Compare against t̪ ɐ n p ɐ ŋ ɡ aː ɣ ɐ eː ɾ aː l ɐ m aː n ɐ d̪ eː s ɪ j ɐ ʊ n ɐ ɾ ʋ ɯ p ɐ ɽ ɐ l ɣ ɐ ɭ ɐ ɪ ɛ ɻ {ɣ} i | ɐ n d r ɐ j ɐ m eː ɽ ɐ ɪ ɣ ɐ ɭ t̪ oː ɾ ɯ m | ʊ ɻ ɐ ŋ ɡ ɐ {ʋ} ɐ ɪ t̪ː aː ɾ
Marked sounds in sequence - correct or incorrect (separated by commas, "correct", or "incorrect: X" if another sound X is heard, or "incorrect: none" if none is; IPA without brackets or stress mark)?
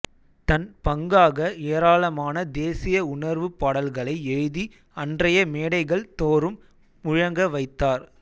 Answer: incorrect: ð, correct